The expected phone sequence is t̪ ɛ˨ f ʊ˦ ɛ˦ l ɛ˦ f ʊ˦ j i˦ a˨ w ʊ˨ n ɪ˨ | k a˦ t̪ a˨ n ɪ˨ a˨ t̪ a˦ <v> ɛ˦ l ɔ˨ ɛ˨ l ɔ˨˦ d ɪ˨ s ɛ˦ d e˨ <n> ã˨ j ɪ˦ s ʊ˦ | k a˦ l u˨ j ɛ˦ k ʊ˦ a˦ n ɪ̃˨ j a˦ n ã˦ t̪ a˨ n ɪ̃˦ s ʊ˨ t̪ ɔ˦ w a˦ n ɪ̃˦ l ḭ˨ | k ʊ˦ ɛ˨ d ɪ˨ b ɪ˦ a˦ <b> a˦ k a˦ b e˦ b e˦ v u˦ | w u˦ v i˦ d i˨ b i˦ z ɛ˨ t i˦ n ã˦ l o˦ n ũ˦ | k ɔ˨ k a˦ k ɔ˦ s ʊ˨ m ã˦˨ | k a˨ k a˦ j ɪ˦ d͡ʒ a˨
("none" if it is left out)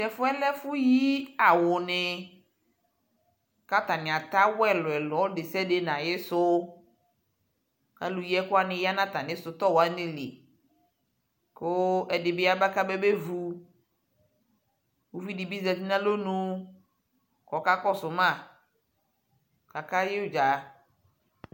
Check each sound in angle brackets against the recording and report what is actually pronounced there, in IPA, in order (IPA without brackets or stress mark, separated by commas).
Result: w, n, b